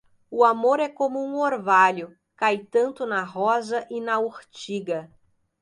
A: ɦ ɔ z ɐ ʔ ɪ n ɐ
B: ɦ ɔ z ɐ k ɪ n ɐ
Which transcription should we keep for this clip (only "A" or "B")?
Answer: A